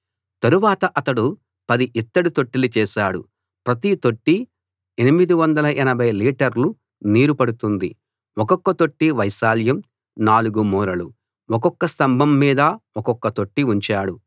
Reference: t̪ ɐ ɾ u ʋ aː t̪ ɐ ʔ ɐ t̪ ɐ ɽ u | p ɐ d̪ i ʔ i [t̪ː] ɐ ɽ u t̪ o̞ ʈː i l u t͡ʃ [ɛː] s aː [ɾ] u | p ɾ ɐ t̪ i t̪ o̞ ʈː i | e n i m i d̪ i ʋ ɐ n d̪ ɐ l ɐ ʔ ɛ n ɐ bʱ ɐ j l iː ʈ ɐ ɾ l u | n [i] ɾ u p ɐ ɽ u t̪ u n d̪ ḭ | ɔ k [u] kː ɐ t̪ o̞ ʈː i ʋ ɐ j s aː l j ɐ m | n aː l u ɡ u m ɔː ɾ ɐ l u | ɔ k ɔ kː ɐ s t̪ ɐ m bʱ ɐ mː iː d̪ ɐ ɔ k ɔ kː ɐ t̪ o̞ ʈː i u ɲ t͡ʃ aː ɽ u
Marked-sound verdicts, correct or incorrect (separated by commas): correct, correct, incorrect, incorrect, incorrect